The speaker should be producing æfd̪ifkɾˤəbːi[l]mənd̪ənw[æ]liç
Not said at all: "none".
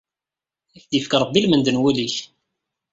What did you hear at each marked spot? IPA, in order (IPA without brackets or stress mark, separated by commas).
l, æ